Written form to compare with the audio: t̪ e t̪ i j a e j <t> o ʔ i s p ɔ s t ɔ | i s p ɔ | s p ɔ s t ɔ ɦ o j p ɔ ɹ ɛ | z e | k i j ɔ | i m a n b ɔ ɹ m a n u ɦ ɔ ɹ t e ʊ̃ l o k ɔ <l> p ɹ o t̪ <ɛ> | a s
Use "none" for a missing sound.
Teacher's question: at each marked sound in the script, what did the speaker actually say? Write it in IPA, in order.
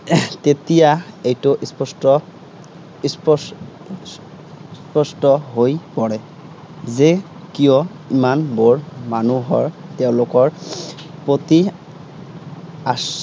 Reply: t, ɹ, i

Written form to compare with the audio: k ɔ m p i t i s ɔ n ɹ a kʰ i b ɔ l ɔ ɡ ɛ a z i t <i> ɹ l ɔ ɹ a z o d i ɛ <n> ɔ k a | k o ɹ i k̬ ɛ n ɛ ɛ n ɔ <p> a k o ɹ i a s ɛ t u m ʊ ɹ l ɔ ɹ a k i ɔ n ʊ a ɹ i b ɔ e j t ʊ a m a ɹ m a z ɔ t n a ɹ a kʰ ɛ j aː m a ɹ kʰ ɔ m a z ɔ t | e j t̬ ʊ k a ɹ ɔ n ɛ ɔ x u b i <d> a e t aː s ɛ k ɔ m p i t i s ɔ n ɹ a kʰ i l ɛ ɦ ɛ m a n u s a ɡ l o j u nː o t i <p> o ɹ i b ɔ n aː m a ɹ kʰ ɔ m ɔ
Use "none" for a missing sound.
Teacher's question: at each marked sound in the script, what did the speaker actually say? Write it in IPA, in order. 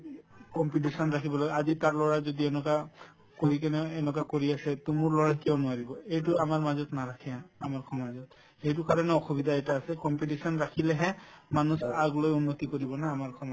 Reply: a, n, k, d, k

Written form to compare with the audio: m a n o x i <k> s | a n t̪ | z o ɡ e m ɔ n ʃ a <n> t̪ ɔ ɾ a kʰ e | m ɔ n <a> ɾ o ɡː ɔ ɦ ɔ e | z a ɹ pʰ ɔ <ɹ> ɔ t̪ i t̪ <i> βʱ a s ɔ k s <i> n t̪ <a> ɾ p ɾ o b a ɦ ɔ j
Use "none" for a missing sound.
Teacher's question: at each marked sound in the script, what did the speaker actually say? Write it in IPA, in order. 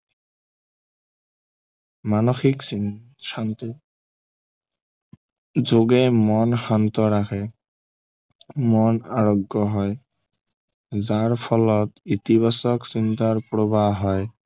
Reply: k, n, a, l, i, i, a

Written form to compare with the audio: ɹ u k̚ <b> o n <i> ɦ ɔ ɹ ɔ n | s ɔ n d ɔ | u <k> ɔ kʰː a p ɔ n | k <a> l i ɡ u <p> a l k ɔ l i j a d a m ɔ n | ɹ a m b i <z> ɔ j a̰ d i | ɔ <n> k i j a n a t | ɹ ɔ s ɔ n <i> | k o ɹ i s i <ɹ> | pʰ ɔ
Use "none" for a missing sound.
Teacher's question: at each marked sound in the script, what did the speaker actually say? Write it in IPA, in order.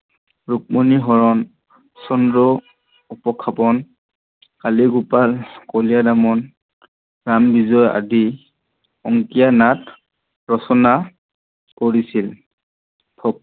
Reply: m, i, p, a, p, z, ŋ, a, l

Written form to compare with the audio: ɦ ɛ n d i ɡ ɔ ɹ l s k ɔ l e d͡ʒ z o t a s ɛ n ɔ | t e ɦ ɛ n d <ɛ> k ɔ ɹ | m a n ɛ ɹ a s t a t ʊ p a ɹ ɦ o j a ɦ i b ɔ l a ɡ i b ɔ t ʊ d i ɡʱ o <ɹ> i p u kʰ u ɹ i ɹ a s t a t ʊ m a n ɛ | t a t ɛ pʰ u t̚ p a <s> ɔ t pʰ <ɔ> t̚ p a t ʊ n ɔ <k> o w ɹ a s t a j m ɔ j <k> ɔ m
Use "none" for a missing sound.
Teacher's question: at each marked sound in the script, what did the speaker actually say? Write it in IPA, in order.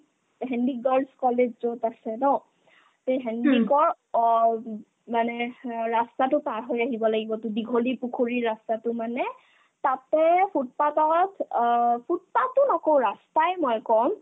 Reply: i, l, t, u, k, k

